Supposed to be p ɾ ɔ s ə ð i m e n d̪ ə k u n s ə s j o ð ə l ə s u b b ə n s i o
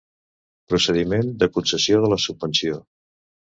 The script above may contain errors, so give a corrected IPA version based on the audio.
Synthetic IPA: p ɾ u s ə ð i m e n d̪ ə k u n s ə s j o ð ə l ə s u b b ə n s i o